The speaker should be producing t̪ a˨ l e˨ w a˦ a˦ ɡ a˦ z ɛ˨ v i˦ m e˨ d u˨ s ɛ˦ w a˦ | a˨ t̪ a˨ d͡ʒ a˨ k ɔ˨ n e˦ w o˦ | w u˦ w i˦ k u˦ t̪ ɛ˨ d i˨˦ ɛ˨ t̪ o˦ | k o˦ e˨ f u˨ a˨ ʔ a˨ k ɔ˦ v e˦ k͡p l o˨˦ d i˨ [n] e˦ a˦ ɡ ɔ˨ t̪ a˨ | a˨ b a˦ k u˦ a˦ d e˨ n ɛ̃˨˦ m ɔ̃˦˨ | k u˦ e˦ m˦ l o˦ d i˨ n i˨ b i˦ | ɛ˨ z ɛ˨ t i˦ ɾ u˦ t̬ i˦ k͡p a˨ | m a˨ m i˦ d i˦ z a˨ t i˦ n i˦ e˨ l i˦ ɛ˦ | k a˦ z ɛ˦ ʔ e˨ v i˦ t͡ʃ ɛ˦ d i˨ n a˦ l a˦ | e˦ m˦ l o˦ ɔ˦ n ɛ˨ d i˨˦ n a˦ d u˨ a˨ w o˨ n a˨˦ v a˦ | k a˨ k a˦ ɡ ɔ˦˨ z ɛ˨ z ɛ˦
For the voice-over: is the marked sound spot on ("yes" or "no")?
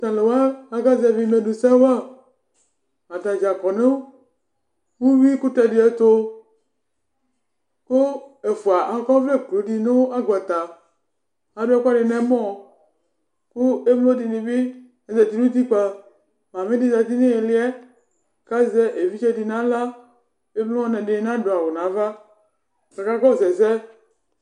yes